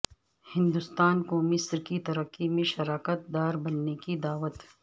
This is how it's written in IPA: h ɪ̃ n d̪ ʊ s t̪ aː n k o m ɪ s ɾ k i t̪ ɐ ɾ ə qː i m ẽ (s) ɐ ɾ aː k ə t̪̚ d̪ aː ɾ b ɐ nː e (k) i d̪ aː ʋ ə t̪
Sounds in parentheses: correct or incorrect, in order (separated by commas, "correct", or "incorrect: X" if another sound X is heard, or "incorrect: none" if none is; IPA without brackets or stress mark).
incorrect: ʃ, correct